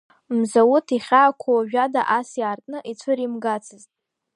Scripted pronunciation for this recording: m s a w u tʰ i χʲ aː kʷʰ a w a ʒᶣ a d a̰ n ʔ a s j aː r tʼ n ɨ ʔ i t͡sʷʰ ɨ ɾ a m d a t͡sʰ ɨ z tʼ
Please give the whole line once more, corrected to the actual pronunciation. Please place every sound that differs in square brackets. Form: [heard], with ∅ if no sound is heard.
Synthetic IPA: m [z] a w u tʰ i χʲ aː kʷʰ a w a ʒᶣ a d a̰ [∅] ʔ a s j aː r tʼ n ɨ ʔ i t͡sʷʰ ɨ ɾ [i] m [ɡ] a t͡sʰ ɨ z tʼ